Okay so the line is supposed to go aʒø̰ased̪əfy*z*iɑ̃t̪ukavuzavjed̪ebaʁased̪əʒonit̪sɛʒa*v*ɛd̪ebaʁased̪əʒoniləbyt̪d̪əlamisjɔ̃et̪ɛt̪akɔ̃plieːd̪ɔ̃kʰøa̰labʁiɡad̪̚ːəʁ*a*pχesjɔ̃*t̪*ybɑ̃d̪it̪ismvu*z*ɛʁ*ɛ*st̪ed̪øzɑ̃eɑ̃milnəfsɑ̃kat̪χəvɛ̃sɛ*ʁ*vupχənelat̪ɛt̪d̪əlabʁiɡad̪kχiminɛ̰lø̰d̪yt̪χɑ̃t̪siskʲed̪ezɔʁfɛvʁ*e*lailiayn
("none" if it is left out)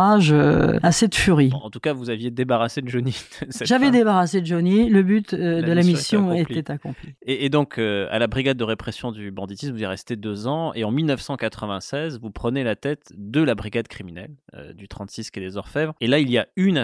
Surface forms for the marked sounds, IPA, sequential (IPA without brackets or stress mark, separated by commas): ʁ, v, e, d̪, z, ɛ, z, e